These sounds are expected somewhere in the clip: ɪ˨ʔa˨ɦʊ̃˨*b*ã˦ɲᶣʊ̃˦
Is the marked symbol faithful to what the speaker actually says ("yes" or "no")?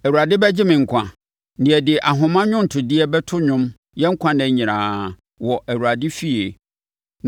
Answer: no